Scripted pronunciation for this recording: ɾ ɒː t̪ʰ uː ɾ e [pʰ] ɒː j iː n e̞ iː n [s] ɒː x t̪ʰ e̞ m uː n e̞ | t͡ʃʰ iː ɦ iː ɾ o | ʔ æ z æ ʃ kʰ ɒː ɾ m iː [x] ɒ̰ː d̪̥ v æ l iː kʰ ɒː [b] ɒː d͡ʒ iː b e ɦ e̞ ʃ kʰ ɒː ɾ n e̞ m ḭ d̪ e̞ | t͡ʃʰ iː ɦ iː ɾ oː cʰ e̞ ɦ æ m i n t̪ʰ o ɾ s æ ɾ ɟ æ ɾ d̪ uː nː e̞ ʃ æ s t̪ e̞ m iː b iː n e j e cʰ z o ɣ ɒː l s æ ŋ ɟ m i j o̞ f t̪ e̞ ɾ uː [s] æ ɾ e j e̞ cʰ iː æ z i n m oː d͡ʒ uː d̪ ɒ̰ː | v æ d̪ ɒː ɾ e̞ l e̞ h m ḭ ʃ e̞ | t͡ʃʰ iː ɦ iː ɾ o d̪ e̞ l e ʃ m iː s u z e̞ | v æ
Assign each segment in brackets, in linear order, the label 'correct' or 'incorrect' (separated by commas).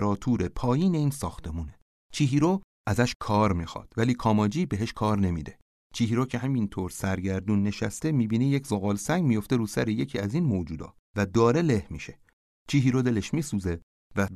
correct, correct, correct, incorrect, correct